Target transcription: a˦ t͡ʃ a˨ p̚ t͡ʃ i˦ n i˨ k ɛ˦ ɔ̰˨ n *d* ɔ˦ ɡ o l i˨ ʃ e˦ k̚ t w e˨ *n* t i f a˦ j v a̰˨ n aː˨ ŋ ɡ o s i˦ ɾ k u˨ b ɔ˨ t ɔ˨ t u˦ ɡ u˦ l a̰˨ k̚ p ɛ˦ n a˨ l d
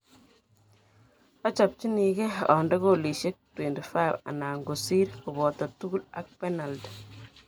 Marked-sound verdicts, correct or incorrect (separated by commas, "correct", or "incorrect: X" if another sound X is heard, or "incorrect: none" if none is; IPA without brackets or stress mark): correct, correct